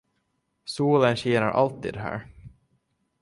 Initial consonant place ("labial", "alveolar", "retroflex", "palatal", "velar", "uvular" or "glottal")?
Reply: alveolar